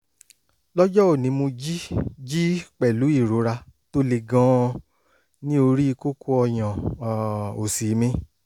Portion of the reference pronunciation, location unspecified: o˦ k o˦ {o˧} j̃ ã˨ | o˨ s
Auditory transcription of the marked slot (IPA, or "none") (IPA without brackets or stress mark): ɔ˧